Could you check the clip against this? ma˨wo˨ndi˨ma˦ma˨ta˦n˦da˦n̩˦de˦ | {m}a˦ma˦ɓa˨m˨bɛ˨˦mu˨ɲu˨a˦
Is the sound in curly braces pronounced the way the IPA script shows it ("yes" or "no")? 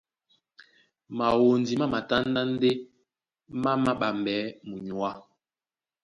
yes